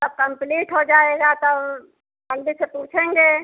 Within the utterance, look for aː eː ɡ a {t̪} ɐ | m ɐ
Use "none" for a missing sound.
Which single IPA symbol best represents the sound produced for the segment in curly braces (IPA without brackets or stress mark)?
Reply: t̪